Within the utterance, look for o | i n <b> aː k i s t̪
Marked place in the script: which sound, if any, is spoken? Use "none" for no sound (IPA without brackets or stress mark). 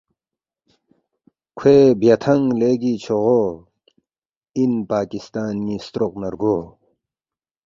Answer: p